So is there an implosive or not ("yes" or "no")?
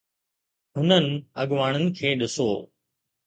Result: yes